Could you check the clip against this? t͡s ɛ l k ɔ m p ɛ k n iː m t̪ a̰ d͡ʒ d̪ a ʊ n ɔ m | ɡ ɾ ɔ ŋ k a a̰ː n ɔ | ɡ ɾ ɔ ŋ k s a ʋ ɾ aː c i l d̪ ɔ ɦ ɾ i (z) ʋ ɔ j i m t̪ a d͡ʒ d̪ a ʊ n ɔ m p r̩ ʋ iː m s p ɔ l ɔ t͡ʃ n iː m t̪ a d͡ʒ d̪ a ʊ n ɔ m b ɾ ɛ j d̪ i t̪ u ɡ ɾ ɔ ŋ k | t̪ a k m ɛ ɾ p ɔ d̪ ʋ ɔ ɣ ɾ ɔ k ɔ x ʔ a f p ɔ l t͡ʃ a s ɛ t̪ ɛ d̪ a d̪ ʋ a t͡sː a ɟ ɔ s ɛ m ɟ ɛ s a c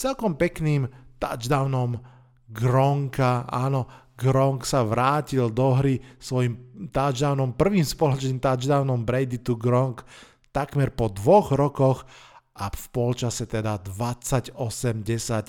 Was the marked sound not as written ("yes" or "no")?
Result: yes